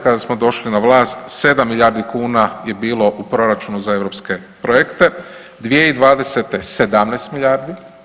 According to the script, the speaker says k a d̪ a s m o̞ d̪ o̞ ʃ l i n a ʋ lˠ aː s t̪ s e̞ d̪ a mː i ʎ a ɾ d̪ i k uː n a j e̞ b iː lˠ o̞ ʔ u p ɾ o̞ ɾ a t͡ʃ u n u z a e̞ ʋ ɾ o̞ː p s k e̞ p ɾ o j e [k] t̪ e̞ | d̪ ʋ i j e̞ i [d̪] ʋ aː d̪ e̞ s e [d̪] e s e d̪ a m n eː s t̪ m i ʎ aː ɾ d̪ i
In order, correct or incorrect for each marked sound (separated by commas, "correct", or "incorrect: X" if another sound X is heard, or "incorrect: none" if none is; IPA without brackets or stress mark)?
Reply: correct, correct, incorrect: t̪